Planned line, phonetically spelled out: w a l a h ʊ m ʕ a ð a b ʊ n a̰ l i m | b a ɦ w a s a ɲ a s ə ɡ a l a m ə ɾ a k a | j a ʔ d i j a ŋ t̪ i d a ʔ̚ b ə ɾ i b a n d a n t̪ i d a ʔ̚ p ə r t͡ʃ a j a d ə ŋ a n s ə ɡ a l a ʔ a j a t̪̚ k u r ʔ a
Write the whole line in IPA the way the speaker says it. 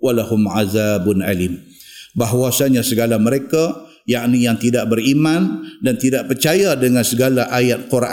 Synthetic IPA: w a l a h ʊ m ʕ a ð a b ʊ n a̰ l i m | b a ɦ w a s a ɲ a s ə ɡ a l a m ə ɾ e k a | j a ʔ n i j a ŋ t̪ i d a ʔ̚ b ə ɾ i m a n d a n t̪ i d a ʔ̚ p ə r t͡ʃ a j a d ə ŋ a n s ə ɡ a l a ʔ a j a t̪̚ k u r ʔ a